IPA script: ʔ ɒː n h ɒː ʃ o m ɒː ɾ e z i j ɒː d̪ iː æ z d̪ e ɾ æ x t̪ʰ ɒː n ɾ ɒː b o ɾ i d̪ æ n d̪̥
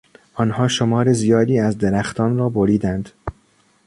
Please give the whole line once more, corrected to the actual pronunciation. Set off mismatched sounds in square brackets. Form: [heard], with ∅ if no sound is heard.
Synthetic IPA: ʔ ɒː n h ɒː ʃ o m ɒː ɾ e z i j ɒː d̪ iː æ z d̪ e ɾ æ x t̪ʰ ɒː n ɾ ɒː b o ɾ [iː] d̪ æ n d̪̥